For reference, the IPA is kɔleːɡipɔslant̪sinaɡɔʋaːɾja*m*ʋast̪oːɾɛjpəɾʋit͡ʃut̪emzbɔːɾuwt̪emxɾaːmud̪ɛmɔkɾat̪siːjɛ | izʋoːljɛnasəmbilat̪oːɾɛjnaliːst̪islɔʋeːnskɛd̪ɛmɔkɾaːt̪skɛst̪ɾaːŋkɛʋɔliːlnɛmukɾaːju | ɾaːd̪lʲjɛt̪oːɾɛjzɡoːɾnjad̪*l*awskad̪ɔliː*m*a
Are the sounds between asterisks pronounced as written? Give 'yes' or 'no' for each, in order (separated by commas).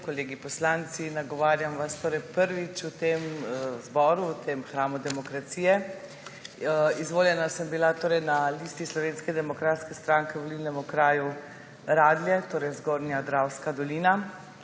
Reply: yes, no, no